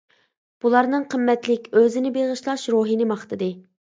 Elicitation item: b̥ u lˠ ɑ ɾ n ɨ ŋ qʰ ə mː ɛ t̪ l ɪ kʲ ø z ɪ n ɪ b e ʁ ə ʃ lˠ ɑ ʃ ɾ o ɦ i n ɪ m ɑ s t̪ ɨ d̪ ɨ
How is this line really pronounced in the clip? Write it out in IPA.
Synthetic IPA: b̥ u lˠ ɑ ɾ n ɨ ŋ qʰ ə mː ɛ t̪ l ɪ kʲ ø z ɪ n ɪ b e ʁ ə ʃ lˠ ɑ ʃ ɾ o ɦ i n ɪ m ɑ χ t̪ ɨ d̪ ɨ